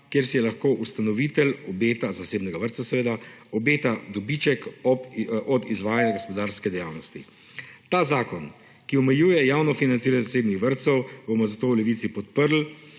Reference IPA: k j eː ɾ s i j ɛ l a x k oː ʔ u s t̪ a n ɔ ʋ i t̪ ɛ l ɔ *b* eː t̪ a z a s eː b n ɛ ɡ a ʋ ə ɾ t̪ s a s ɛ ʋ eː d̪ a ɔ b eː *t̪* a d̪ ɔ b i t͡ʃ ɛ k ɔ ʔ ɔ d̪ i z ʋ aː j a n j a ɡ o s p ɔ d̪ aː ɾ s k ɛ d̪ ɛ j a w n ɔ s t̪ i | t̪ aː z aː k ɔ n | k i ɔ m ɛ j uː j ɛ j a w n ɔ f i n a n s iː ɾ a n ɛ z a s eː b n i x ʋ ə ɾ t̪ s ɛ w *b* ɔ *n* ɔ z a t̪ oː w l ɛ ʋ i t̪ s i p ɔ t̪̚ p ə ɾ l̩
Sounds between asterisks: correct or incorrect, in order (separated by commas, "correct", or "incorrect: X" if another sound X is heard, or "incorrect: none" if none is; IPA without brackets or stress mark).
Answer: correct, correct, correct, incorrect: m